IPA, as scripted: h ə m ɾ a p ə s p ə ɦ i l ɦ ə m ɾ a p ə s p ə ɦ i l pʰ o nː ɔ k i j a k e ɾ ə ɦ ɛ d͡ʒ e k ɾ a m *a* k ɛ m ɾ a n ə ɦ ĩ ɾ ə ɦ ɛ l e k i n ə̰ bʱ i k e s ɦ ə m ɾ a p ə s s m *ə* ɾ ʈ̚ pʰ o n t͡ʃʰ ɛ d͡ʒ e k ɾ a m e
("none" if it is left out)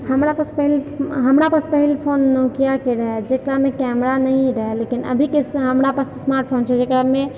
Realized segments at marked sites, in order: e, a

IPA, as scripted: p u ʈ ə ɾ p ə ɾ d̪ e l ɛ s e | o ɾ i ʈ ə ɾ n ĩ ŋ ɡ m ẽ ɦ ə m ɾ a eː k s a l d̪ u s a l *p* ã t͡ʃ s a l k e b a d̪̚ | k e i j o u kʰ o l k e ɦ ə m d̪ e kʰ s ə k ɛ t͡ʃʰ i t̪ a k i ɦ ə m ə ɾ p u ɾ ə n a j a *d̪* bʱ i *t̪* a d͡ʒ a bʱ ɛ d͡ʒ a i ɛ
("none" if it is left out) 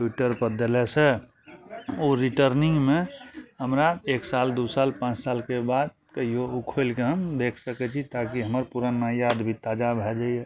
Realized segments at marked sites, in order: p, d̪, t̪

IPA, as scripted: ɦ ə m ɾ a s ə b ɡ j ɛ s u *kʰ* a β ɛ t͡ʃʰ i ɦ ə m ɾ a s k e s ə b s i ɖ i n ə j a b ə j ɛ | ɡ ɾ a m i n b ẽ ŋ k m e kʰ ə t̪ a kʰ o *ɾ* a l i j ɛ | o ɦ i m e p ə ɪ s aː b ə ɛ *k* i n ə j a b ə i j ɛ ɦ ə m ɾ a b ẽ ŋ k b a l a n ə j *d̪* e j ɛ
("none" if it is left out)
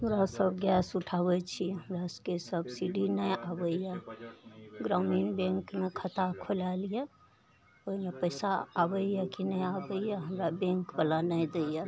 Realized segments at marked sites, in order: ʈʰ, l, k, d̪

